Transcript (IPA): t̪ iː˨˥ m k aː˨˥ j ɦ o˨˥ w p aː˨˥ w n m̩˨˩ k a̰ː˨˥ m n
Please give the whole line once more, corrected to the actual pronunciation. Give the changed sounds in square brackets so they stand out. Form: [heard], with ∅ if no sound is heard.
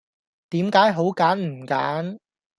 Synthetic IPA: t̪ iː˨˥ m k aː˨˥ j ɦ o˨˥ w [k] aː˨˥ [∅] n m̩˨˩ k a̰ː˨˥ [∅] n